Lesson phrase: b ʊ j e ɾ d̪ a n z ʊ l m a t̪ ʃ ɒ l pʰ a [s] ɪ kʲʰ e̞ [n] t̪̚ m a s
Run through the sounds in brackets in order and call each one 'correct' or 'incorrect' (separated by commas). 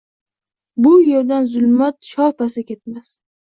correct, incorrect